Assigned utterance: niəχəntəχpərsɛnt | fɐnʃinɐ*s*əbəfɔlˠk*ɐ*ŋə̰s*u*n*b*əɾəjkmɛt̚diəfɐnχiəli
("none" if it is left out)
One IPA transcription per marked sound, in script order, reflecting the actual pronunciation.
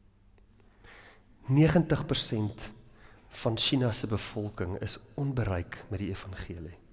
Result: s, ə, ɔ, b

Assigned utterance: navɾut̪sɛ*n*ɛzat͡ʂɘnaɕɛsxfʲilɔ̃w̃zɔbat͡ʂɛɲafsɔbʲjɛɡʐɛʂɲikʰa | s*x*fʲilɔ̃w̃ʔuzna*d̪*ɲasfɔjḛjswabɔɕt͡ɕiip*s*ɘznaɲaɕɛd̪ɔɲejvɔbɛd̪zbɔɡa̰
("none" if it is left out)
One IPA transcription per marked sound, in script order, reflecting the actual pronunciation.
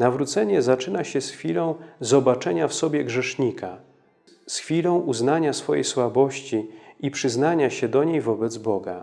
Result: ɲ, x, none, ʂ

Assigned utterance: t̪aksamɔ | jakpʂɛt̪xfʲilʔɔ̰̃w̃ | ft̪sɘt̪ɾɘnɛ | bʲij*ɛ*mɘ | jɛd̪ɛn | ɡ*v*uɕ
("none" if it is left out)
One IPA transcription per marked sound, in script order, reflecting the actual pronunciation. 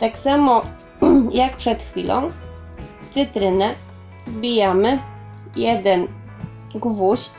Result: a, v

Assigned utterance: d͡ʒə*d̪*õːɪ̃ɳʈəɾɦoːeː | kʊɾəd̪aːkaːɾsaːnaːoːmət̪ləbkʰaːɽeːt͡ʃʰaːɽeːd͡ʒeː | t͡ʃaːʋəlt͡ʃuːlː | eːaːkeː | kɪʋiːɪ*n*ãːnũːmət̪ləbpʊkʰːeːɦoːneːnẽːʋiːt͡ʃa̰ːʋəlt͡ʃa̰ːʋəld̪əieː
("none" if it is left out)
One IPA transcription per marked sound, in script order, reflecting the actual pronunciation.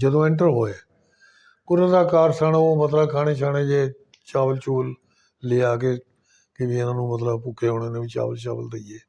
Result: d̪, n

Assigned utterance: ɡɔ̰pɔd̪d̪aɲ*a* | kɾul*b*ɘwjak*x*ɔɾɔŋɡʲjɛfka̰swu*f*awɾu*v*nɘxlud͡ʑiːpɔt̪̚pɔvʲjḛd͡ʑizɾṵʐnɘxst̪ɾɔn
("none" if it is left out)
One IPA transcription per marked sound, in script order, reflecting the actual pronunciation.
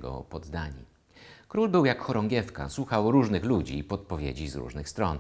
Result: i, b, x, x, ʐ

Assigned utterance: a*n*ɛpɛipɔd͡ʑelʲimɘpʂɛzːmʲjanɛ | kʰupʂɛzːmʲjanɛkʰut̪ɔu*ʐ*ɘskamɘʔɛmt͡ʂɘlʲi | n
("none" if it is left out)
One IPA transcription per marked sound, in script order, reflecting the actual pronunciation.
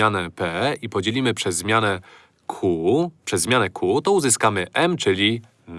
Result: n, z

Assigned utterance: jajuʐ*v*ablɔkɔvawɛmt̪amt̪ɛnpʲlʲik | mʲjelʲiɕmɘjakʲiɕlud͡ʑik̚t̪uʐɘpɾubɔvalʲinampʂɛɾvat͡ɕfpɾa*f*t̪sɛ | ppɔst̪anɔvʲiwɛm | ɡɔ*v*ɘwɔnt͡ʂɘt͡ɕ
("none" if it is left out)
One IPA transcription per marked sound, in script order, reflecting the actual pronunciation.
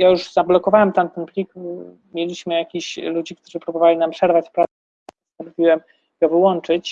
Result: z, none, v

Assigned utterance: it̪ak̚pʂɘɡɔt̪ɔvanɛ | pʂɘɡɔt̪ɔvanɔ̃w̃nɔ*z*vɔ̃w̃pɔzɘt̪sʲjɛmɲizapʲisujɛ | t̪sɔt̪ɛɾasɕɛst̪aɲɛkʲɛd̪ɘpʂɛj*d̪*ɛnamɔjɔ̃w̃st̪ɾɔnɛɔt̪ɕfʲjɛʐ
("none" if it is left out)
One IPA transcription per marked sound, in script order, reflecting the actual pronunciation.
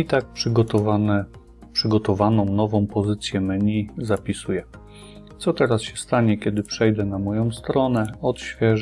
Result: none, d̪

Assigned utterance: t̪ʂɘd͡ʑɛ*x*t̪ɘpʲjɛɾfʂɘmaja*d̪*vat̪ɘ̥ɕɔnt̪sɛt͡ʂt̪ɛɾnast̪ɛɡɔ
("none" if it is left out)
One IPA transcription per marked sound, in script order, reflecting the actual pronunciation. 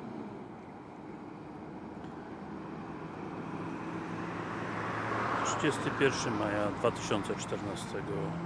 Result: s, d̪

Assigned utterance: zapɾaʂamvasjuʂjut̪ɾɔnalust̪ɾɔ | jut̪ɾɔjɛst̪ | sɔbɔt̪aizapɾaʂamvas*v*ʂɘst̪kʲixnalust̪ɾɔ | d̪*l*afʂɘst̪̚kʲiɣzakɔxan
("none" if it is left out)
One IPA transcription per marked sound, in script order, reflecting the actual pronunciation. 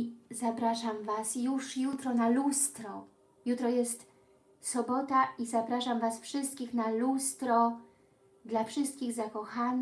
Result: f, l

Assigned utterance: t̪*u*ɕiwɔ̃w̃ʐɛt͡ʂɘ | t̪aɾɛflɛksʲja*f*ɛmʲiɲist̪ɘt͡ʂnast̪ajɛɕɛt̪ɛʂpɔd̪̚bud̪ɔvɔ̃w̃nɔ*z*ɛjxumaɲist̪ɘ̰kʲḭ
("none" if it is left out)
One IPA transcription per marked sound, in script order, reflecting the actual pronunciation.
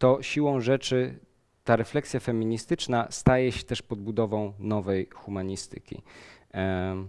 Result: ɔ, f, v

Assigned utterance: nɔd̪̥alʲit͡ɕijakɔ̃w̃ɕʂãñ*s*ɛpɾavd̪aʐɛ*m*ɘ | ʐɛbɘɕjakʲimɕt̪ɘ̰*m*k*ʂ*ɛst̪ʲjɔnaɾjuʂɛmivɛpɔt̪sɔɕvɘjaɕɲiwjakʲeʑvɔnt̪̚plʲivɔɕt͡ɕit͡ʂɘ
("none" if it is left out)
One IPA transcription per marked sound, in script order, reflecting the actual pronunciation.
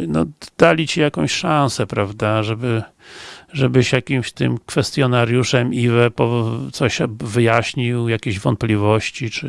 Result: s, b, m, f

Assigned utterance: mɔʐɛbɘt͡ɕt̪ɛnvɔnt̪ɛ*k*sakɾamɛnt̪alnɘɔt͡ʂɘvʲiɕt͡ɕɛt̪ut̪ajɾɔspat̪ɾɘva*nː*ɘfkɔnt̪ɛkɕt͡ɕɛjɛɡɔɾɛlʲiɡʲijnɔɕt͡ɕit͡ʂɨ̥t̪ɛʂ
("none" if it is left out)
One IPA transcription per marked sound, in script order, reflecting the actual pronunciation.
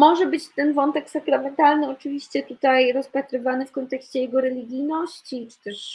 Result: k, n

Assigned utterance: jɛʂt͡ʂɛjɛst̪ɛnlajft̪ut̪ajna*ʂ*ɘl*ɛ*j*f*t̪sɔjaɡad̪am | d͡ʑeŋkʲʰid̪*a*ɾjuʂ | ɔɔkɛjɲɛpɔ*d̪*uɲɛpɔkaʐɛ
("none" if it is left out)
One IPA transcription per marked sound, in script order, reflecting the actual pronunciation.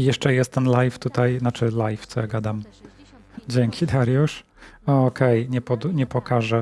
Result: t͡ʂ, a, f, a, d̪

